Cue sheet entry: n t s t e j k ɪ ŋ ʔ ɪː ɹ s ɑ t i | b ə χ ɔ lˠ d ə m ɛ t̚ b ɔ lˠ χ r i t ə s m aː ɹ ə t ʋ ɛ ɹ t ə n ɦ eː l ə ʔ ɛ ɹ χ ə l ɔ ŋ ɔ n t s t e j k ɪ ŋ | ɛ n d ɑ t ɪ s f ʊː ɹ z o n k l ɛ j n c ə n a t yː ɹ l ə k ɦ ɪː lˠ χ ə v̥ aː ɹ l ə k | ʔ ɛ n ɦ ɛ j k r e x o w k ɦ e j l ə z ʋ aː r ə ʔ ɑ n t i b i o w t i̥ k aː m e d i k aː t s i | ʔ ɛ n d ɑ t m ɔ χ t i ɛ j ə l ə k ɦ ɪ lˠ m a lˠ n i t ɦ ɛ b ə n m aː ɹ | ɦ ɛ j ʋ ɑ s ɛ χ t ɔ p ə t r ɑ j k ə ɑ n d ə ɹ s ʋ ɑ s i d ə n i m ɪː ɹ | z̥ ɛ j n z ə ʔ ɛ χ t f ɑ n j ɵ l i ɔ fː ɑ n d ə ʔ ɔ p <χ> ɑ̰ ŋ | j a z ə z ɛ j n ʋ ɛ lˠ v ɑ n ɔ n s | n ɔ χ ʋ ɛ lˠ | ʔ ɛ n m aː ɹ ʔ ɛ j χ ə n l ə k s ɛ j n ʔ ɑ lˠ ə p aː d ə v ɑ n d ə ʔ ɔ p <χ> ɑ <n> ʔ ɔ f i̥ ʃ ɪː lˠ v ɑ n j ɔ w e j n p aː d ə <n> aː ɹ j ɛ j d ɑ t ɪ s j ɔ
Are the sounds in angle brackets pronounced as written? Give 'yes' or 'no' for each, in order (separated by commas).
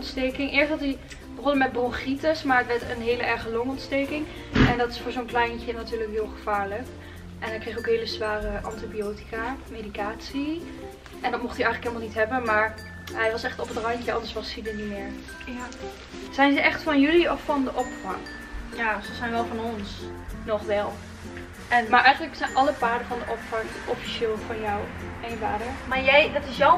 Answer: no, no, no, no